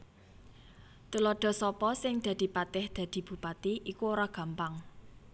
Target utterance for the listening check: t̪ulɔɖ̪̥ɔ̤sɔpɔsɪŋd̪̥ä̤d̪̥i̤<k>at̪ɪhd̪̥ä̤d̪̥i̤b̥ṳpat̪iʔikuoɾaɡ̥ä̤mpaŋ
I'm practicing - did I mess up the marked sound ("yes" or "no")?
yes